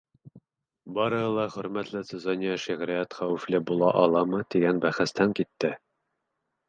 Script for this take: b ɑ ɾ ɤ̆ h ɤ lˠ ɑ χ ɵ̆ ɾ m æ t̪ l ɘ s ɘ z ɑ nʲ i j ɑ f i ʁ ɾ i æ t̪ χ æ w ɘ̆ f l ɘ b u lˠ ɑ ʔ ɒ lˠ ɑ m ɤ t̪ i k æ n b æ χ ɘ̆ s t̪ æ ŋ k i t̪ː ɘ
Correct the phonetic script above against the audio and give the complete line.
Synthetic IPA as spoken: b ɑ ɾ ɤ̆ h ɤ lˠ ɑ χ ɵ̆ ɾ m æ t̪ l ɘ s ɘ z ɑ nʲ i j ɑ ʃ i ʁ ɾ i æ t̪ χ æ w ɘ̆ f l ɘ b u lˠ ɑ ʔ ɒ lˠ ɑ m ɤ t̪ i ɡ æ n b æ χ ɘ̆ s t̪ æ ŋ k i t̪ː ɘ